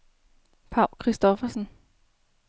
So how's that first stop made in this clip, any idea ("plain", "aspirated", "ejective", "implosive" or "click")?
aspirated